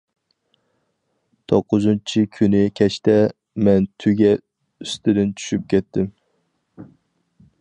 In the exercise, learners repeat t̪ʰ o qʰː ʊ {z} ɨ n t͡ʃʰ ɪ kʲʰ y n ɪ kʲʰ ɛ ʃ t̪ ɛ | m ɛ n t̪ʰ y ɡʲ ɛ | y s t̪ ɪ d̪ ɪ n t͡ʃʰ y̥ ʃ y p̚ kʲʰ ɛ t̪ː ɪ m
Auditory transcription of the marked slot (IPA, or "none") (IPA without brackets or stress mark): z